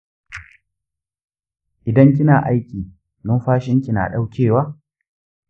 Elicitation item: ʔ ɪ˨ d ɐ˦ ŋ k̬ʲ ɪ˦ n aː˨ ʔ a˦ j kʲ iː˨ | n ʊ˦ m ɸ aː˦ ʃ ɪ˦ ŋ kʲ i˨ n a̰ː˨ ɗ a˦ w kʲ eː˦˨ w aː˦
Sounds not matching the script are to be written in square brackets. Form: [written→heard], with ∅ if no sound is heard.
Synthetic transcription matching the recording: ʔ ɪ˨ d ɐ˦ ŋ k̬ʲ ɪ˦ n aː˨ ʔ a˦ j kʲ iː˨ | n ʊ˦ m ɸ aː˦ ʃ ɪ˦ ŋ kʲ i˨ n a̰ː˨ ɗ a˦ w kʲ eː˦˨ w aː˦